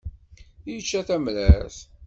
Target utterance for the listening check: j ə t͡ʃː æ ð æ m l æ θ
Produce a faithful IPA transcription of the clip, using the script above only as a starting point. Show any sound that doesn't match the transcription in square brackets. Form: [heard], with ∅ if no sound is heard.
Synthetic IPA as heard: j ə t͡ʃː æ [θ] æ m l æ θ